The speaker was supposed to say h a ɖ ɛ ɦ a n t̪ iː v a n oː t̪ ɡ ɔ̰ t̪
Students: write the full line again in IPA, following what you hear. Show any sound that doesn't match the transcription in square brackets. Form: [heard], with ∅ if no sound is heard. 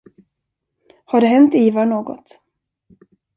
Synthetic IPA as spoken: h a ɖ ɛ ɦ [ɛ] n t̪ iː v a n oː [∅] ɡ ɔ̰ t̪